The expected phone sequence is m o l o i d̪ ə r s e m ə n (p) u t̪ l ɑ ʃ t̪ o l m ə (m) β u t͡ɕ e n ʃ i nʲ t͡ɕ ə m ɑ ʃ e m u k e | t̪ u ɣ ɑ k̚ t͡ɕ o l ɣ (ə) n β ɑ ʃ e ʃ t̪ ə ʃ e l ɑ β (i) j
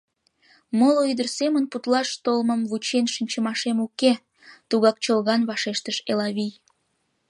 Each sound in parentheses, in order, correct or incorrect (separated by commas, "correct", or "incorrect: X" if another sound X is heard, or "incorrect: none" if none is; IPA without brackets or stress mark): correct, correct, incorrect: ɑ, correct